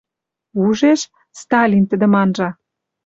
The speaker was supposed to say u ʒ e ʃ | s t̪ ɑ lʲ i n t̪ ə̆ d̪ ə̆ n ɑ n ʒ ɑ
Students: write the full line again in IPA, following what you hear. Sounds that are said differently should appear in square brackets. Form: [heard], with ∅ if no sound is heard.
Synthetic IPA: u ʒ e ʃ | s t̪ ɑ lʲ i n t̪ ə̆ d̪ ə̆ [m] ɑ n ʒ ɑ